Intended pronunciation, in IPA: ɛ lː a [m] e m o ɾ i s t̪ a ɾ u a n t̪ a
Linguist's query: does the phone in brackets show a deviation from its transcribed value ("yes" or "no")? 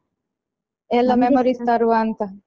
no